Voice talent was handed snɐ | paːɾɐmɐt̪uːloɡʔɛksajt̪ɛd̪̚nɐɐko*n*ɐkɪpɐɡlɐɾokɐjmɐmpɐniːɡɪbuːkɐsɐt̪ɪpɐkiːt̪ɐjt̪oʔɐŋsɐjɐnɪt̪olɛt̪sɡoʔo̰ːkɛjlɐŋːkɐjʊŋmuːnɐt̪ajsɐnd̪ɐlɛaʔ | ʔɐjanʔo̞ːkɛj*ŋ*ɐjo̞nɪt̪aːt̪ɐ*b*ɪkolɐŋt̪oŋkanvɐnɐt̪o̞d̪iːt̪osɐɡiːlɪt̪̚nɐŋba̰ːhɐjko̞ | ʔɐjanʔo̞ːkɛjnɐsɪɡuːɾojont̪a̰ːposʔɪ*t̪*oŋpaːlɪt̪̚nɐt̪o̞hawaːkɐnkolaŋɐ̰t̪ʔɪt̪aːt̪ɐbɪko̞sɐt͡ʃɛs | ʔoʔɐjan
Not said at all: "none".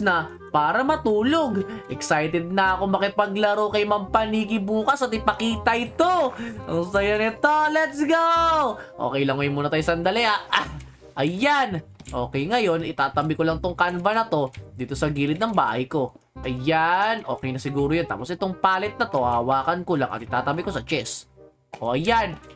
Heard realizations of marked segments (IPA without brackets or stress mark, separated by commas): m, ŋ, b, t̪